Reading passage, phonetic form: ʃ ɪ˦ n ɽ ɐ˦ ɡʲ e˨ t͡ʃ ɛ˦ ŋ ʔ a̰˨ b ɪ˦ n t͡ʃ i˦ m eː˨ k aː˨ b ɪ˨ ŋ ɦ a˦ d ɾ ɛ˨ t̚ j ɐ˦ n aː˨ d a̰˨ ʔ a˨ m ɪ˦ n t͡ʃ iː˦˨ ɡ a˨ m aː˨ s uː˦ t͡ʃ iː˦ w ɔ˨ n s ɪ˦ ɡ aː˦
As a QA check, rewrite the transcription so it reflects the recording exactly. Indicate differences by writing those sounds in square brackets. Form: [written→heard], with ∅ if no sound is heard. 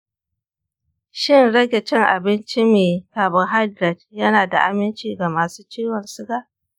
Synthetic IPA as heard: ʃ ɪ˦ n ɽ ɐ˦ ɡʲ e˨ t͡ʃ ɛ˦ ŋ ʔ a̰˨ b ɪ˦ n t͡ʃ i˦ m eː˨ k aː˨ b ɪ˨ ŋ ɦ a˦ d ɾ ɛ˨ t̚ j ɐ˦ n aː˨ d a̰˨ ʔ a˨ m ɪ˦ n t͡ʃ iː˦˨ ɡ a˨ m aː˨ s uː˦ t͡ʃ iː˦ w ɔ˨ n s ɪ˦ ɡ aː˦